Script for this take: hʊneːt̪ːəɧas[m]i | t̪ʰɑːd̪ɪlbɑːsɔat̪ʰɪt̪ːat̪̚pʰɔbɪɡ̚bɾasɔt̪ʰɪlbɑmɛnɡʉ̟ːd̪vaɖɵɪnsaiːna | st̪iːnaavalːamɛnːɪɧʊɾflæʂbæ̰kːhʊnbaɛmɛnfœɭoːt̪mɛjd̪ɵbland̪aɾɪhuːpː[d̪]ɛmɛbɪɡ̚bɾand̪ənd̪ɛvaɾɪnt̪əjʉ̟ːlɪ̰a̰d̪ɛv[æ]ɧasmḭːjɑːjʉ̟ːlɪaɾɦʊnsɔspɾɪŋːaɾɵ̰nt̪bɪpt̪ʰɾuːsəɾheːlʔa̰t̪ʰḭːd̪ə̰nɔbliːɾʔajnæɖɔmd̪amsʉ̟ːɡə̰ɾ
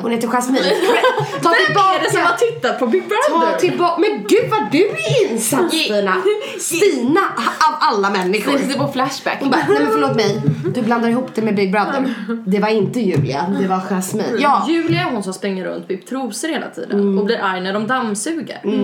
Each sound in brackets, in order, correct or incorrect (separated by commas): correct, correct, incorrect